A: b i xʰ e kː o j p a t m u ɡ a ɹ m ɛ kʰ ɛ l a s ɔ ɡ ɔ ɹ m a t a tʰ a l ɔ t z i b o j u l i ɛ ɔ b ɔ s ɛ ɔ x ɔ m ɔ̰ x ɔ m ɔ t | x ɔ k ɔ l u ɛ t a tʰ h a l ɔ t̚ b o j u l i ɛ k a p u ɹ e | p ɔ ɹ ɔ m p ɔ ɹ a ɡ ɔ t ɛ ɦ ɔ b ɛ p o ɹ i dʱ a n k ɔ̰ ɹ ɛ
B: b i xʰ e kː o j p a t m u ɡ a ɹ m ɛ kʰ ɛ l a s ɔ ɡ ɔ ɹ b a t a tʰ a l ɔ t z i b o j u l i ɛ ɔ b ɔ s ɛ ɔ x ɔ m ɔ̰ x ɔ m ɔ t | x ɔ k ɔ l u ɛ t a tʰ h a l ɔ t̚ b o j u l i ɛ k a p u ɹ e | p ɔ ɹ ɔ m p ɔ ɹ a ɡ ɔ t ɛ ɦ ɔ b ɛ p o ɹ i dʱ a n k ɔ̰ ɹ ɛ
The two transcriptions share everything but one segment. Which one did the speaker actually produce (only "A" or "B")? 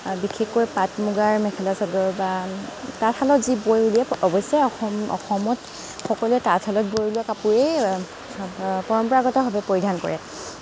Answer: B